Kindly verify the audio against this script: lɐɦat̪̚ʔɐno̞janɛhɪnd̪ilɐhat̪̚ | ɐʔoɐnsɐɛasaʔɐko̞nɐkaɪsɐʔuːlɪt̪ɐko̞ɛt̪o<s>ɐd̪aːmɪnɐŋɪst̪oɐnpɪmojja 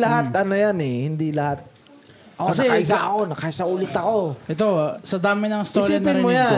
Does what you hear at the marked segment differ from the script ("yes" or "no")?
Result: no